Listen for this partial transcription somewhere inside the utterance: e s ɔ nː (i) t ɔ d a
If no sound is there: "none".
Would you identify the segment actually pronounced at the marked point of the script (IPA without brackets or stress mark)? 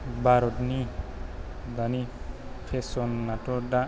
a